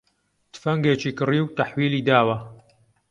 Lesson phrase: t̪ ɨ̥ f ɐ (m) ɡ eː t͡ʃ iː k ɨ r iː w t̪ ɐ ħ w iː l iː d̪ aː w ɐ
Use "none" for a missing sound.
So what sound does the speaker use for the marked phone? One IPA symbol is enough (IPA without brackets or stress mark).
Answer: ŋ